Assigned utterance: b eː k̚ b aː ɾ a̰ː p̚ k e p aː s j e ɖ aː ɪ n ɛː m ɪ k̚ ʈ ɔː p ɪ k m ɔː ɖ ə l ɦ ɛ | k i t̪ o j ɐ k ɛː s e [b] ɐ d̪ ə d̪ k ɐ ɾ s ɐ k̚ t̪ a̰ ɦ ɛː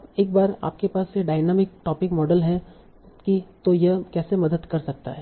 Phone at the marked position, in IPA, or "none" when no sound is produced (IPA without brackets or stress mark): m